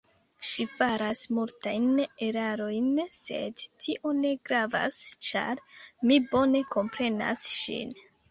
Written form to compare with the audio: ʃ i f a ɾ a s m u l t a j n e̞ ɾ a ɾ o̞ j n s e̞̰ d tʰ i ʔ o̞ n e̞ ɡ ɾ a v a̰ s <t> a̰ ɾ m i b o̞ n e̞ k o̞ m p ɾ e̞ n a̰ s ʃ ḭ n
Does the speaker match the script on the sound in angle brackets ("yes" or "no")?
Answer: no